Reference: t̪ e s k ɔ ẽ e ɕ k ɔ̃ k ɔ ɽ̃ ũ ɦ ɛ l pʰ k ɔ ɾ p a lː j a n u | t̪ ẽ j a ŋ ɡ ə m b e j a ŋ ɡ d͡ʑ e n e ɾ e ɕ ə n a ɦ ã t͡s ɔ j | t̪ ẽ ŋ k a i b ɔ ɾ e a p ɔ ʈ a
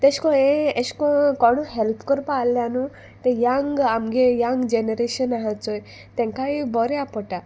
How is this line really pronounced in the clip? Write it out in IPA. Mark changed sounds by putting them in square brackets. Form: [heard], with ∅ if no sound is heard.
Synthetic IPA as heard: t̪ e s k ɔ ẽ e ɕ k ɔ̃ k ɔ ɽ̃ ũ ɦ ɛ l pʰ k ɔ ɾ p a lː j a n u | t̪ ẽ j a ŋ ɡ [a] m [ɡ] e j a ŋ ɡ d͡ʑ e n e ɾ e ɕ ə n a ɦ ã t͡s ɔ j | t̪ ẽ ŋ k a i b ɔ ɾ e a p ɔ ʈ a